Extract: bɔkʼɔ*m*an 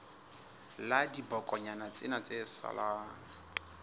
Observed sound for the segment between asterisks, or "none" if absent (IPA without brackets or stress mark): ɲ